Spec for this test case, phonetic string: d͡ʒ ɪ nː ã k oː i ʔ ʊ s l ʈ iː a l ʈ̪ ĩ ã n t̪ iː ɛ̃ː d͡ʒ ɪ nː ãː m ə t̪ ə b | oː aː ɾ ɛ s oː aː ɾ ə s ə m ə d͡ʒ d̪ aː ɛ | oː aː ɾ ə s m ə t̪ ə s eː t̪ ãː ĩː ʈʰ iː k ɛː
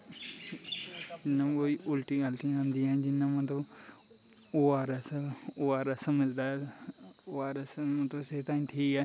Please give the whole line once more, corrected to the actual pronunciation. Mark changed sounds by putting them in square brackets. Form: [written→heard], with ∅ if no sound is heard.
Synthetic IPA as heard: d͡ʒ ɪ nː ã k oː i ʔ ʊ [s→∅] l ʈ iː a l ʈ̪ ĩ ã n [t̪→d̪] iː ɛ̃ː d͡ʒ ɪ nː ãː m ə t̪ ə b | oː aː ɾ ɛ s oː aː ɾ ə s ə m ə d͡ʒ d̪ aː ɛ | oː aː ɾ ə s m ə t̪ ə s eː t̪ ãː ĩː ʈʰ iː k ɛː